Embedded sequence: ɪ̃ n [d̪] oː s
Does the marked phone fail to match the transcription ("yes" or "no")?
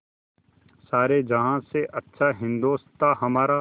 no